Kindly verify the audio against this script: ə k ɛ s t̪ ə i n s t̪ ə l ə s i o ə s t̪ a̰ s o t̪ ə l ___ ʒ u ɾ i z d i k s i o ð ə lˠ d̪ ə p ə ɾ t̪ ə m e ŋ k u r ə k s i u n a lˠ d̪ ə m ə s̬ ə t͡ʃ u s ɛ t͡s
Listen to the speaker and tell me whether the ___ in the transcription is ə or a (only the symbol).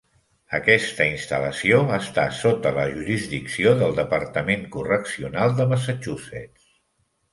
ə